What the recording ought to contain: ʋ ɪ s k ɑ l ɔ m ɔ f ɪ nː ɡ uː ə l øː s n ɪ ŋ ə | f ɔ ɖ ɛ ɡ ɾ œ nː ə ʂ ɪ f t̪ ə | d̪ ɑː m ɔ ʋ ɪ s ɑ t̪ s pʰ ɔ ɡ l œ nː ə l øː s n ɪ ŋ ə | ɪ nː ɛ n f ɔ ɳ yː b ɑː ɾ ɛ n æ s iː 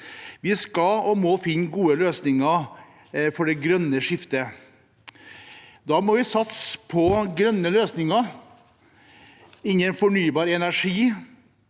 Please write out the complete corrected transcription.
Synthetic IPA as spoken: ʋ ɪ s k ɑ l ɔ m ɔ f ɪ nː ɡ uː ə l øː s n ɪ ŋ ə | f ɔ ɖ ɛ ɡ ɾ œ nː ə ʂ ɪ f t̪ ə | d̪ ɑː m ɔ ʋ ɪ s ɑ t̪ s pʰ ɔ ɡ ɾ œ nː ə l øː s n ɪ ŋ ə | ɪ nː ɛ n f ɔ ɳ yː b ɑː ɾ ɛ n æ ʂ iː